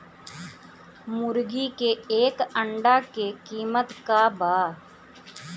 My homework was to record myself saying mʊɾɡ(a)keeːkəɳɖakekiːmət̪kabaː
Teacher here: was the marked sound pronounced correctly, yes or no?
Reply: no